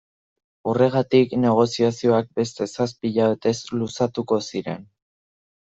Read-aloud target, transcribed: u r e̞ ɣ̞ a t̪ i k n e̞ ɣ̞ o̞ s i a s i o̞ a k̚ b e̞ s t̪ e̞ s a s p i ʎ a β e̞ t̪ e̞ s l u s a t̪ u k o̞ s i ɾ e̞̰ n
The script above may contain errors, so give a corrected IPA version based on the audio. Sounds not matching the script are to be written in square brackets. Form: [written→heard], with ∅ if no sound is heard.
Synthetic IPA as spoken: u r e̞ ɣ̞ a t̪ i k n e̞ ɣ̞ o̞ s i a s i o̞ a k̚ b e̞ s t̪ e̞ s a s p i ʎ a β e̞ t̪ e̞ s l u s a t̪ u k o̞ s i ɾ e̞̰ n